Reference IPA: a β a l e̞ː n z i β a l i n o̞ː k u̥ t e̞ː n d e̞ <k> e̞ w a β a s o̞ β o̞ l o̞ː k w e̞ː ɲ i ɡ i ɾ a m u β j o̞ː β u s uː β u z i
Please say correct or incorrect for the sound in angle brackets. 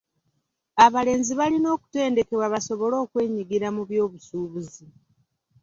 correct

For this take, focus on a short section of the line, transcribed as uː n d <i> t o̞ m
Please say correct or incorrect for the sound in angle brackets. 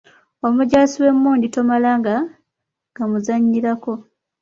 correct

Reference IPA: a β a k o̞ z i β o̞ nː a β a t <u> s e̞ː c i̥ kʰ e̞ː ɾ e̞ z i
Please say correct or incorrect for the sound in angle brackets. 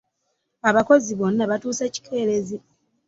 incorrect: uː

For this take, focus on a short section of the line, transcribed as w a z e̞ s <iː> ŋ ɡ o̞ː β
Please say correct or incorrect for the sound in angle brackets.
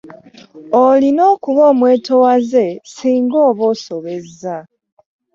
correct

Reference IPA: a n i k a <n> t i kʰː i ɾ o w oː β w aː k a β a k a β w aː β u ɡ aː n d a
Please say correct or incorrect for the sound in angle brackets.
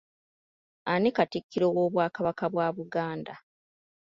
incorrect: none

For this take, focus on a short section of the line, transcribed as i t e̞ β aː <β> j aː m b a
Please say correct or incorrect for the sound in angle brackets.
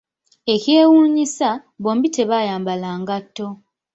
incorrect: none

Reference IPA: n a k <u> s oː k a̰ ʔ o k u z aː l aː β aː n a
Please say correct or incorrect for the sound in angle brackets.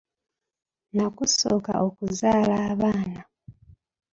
correct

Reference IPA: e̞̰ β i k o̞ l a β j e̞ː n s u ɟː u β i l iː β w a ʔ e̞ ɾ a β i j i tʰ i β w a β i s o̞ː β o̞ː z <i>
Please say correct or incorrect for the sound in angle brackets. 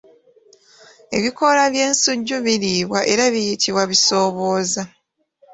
incorrect: a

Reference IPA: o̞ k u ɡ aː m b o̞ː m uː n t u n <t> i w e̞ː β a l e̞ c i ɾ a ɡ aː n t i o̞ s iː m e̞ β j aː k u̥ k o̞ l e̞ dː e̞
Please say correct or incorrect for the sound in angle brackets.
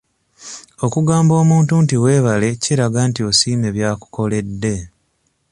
correct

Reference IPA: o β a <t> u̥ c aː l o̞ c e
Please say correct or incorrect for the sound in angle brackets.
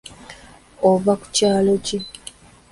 incorrect: k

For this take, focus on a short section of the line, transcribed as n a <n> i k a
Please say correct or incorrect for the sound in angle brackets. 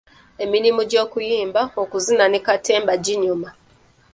correct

